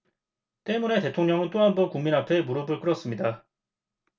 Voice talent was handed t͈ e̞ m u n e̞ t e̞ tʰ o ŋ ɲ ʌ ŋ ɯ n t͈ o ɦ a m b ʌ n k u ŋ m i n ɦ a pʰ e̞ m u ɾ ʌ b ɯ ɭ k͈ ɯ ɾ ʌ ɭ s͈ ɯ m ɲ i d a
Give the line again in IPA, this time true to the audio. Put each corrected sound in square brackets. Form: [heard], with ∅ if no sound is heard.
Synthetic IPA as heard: t͈ e̞ m u n e̞ t e̞ tʰ o ŋ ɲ ʌ ŋ ɯ n t͈ o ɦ a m b ʌ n k u ŋ m i n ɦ a pʰ e̞ m u ɾ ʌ b ɯ ɭ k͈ ɯ ɾ ʌ [∅] s͈ ɯ m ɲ i d a